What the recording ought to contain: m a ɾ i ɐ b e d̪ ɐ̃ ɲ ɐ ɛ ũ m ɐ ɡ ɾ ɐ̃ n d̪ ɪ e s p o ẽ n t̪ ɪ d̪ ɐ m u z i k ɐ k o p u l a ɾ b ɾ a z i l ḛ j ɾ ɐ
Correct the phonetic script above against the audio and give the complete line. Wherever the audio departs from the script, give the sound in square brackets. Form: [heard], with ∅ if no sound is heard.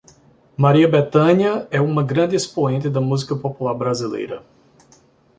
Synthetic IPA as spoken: m a ɾ i ɐ b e [t̪] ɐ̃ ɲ ɐ ɛ ũ m ɐ ɡ ɾ ɐ̃ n d̪ ɪ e s p o ẽ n t̪ ɪ d̪ ɐ m u z i k ɐ [p] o p u l a ɾ b ɾ a z i l ḛ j ɾ ɐ